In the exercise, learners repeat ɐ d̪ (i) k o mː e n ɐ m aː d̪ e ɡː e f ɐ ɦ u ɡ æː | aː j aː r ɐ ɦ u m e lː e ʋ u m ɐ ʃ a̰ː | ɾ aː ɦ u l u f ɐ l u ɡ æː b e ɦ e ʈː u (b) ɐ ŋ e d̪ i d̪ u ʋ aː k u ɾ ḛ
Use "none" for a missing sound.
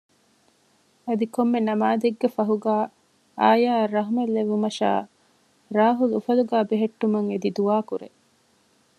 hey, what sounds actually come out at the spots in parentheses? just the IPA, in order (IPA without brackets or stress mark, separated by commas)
i, m